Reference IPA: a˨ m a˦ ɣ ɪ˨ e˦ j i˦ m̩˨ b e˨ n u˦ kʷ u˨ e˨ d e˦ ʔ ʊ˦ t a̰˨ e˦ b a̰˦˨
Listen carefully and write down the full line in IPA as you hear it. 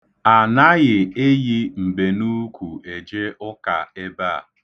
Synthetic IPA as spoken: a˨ n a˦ ɣ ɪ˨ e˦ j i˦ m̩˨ b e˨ n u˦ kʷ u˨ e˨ d͡ʒ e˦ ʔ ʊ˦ k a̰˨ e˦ b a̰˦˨